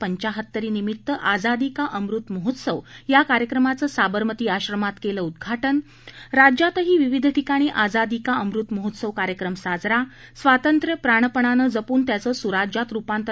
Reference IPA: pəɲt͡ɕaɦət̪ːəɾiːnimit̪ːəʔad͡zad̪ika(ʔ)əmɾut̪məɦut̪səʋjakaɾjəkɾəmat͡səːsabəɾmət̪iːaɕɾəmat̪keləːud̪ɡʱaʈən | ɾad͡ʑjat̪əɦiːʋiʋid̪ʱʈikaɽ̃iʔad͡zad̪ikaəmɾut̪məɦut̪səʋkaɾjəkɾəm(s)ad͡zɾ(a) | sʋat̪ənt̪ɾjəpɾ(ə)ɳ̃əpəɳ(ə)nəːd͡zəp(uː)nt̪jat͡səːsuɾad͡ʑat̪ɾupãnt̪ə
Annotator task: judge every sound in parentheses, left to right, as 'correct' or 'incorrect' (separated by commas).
correct, correct, correct, incorrect, incorrect, correct